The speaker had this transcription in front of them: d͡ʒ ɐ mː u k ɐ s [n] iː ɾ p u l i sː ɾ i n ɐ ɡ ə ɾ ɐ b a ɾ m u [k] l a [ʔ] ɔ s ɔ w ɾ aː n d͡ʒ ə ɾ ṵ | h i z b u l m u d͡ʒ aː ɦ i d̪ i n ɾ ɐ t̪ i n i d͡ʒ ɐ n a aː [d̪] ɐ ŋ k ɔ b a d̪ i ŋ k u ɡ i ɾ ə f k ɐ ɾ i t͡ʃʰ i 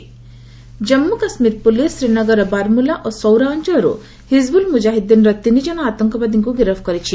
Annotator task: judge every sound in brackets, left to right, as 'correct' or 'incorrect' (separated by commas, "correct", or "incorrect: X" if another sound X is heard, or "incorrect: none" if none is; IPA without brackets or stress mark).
incorrect: m, incorrect: none, correct, incorrect: t̪